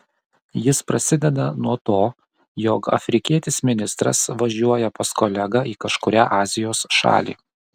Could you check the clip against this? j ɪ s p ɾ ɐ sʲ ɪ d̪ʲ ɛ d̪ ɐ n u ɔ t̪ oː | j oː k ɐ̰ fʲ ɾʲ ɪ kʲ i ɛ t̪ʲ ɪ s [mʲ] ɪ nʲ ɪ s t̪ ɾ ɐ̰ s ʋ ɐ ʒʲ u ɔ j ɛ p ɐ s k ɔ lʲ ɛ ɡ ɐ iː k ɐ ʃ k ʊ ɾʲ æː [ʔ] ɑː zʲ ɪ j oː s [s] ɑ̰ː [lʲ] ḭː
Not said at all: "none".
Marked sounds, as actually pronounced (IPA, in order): mʲ, ʔ, ʃ, lʲ

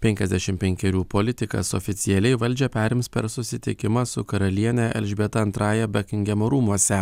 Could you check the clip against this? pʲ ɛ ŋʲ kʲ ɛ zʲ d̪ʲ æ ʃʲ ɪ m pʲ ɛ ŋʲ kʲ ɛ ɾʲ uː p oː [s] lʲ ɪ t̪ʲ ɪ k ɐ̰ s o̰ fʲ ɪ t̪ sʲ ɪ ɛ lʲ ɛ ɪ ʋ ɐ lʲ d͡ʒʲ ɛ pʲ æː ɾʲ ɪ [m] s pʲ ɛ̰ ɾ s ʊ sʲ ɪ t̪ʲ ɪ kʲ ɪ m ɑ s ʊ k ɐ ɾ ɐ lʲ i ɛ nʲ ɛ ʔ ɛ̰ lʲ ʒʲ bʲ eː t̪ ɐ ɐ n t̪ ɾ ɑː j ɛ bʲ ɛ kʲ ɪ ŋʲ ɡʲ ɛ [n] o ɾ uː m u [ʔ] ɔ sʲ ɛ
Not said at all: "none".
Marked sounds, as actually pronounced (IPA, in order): none, m, m, none

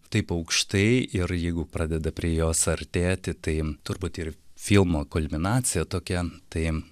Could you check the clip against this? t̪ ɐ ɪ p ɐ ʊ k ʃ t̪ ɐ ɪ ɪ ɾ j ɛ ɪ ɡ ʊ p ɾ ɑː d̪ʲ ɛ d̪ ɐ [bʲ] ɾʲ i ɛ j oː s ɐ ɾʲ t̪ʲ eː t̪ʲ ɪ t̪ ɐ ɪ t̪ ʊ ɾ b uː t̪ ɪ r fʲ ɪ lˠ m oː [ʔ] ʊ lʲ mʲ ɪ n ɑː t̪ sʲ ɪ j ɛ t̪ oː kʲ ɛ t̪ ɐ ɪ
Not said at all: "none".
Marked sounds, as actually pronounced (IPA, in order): pʲ, k

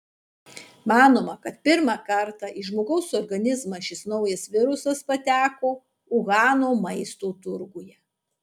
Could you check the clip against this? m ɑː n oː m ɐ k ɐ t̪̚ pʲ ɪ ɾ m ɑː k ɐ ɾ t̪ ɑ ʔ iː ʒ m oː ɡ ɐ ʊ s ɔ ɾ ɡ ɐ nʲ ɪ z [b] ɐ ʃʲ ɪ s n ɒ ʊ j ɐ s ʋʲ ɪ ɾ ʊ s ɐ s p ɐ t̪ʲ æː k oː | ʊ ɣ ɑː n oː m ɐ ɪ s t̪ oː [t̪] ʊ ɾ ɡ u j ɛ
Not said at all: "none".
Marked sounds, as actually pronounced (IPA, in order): m, t̪

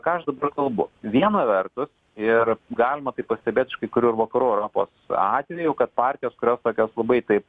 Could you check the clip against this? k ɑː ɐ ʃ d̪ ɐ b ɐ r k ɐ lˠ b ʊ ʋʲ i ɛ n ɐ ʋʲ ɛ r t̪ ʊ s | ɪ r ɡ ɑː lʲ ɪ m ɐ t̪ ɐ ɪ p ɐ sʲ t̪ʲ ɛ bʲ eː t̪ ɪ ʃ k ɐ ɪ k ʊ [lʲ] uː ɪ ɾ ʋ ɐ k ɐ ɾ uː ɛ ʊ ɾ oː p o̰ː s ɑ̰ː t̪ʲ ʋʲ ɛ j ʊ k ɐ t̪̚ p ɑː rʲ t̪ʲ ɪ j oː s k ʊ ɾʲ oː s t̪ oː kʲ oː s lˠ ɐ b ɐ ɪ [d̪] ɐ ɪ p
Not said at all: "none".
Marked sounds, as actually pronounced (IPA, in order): ɾʲ, t̪

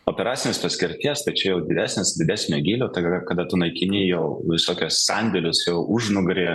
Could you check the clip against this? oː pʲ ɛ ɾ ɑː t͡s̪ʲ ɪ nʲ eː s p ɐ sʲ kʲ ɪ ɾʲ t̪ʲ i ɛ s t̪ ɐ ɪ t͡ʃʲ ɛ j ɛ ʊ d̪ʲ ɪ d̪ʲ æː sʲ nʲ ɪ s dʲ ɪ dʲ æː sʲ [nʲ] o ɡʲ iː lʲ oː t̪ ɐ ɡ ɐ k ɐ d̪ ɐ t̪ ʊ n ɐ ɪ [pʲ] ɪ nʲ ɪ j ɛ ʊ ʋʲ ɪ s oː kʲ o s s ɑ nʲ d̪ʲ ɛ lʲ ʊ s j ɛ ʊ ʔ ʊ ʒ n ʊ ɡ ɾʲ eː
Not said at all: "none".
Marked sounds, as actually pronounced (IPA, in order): nʲ, kʲ

